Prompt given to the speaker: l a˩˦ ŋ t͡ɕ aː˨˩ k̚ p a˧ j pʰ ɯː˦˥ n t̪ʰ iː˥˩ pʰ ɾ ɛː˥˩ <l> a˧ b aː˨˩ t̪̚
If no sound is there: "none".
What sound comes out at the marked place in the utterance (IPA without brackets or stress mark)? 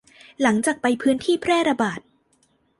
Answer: ɾ